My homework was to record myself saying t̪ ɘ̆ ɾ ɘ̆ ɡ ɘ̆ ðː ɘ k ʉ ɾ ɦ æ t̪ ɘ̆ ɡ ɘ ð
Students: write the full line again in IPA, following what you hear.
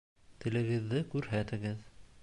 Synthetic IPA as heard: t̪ ɘ̆ l ɘ̆ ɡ ɘ̆ ðː ɘ k ʉ ɾ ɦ æ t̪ ɘ̆ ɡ ɘ ð